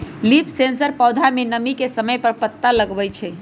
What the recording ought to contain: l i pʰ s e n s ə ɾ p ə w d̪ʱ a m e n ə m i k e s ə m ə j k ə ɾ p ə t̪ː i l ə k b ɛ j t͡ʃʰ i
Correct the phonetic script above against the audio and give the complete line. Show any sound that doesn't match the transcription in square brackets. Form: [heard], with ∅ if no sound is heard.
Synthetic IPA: l i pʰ s e n s ə ɾ p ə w d̪ʱ a m e n ə m i k e s ə m ə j [p] ə ɾ p ə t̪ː [a] l ə [ɡ] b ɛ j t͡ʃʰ [ɛ]